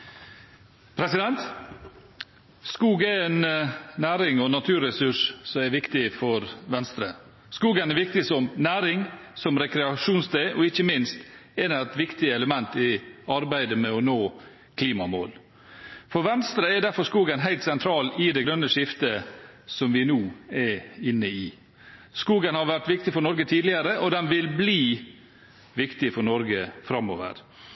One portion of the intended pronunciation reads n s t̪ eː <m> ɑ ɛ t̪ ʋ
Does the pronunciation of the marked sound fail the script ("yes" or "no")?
yes